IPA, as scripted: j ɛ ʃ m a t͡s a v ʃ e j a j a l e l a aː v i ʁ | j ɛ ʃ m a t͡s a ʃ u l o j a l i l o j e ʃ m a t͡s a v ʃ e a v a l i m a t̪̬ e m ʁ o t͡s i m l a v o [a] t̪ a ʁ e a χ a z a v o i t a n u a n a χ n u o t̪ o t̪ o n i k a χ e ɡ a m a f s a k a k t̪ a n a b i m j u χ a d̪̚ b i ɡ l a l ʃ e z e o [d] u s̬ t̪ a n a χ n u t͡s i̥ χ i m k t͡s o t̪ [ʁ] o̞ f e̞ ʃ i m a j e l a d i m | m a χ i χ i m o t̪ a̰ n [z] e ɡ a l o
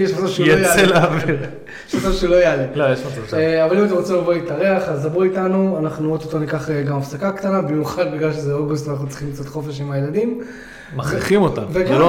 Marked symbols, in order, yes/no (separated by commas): no, no, no, no